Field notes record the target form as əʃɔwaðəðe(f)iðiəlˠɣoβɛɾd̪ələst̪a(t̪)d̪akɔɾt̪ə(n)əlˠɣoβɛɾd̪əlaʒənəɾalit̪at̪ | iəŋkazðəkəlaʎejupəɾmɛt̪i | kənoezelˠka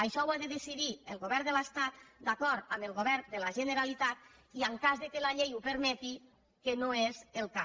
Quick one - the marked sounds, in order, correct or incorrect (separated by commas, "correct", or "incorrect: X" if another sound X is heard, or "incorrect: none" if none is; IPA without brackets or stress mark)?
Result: incorrect: s, correct, incorrect: m